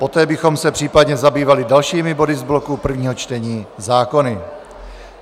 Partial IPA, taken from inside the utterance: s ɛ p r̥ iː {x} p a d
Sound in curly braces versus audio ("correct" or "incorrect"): incorrect